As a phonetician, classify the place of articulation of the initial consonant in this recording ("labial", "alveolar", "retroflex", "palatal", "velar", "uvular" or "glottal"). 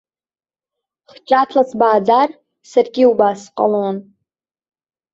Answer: uvular